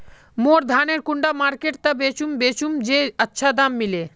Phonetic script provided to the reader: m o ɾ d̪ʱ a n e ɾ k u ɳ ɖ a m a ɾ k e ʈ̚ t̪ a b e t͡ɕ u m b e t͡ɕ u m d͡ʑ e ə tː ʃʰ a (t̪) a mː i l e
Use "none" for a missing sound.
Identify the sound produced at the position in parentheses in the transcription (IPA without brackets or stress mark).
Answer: d̪